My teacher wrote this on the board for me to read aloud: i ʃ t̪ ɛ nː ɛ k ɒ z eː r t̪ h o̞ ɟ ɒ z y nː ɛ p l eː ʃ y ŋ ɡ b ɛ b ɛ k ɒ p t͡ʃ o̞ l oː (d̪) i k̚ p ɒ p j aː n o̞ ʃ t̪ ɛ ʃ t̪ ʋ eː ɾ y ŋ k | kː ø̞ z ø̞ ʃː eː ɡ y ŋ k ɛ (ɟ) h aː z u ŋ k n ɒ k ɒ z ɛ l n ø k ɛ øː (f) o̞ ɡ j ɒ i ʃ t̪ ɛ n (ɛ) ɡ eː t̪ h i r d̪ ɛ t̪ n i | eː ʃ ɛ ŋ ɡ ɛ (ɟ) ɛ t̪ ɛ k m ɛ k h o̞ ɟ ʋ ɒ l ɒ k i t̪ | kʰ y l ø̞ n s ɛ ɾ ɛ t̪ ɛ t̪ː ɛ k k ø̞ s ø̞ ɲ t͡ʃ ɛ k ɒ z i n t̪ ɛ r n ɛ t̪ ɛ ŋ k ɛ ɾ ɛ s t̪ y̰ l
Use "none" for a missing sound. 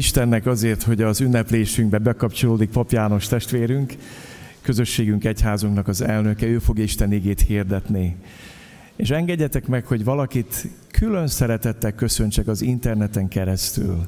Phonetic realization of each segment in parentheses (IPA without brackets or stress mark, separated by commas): d̪, c, f, i, ɟː